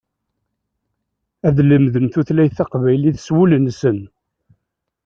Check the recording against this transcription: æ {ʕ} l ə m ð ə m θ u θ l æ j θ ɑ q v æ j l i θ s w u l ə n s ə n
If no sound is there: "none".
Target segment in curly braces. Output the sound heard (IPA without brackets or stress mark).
ð